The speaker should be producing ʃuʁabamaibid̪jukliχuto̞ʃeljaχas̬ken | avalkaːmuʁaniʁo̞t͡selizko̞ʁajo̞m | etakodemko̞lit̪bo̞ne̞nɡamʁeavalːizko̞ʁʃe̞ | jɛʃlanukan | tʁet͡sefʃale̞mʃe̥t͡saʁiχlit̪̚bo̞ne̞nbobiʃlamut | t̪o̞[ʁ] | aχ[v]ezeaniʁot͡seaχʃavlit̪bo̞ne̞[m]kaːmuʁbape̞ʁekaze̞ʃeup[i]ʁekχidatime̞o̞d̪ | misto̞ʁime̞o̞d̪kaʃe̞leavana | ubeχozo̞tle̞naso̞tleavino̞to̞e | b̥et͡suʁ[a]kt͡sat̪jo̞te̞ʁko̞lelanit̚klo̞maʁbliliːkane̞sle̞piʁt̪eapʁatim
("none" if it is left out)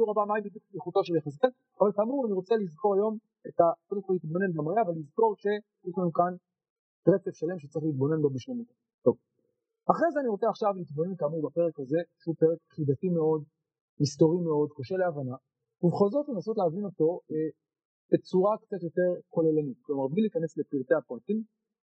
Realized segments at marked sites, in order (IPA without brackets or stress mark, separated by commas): v, ʁ, n, e, a